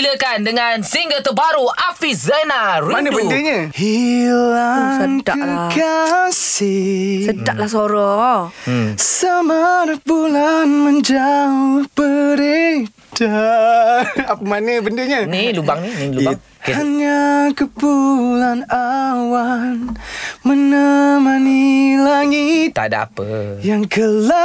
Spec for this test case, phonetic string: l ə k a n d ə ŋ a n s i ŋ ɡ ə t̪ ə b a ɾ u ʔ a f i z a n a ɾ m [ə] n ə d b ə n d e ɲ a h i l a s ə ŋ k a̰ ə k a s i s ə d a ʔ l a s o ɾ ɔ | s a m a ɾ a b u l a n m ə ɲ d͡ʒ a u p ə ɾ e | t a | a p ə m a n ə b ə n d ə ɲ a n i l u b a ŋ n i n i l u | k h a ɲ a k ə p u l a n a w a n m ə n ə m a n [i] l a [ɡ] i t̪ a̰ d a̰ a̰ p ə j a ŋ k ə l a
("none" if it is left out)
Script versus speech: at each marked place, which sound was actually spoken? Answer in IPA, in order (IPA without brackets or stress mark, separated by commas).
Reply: a, i, ŋ